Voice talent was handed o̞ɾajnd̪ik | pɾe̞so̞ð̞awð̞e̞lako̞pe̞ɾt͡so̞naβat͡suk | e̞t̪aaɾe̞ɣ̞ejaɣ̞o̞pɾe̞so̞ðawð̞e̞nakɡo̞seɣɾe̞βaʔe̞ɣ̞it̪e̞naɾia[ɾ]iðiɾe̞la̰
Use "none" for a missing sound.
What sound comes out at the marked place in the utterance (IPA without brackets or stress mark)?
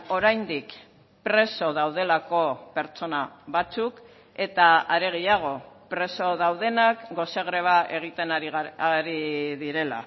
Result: ɾ